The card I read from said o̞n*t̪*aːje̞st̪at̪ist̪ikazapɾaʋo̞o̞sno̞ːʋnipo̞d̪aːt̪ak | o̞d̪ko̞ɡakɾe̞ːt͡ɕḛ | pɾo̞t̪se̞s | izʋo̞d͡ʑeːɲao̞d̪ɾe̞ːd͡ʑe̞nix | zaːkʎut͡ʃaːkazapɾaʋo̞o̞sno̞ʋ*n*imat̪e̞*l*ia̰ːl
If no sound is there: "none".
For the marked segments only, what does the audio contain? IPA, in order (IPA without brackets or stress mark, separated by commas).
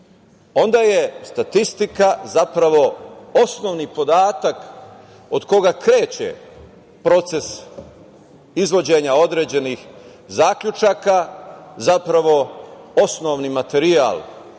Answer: d̪, n, ɾ